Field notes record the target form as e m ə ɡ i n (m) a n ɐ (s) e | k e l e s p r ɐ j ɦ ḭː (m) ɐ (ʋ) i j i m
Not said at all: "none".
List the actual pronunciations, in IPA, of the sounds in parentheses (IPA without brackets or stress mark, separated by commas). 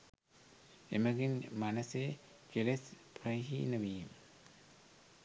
m, s, n, ʋ